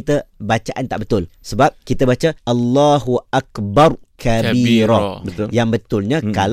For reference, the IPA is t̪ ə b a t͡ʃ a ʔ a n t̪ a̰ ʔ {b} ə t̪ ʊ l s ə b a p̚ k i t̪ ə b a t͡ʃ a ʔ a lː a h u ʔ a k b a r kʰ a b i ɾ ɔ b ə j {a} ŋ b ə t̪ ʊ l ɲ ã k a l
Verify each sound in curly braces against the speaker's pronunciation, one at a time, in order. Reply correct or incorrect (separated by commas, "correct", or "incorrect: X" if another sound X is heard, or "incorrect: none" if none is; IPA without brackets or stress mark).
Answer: correct, correct